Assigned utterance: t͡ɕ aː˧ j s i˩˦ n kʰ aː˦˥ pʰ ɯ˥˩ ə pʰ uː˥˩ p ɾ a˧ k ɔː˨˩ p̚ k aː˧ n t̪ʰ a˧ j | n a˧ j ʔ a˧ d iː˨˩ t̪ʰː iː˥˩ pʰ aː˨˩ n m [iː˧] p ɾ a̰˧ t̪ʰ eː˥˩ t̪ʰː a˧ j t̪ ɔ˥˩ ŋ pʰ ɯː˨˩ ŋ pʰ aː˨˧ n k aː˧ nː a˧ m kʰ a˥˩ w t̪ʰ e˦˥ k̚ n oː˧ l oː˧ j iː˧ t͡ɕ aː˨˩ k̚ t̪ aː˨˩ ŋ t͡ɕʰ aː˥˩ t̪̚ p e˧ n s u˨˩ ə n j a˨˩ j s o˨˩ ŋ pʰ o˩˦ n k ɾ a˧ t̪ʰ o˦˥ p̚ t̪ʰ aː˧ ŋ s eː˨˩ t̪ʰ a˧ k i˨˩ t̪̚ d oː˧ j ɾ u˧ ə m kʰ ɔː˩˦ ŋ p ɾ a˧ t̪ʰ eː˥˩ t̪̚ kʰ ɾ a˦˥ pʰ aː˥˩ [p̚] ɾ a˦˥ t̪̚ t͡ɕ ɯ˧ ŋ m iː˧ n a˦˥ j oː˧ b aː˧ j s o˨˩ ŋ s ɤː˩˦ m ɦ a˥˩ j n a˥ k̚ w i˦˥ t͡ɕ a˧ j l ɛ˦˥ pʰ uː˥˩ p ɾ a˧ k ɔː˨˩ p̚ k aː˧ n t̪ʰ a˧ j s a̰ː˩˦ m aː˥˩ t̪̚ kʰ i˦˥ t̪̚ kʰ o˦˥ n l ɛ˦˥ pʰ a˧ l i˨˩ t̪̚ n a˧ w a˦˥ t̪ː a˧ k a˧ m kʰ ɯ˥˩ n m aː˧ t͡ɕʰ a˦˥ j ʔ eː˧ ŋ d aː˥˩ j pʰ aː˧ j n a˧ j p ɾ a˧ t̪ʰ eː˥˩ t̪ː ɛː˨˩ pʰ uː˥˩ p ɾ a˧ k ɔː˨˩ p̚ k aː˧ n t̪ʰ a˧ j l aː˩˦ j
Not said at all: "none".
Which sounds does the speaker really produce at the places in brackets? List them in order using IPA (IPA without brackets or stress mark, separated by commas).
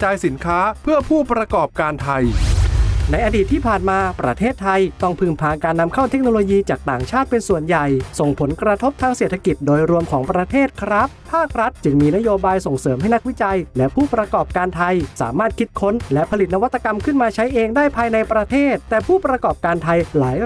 aː˧, k̚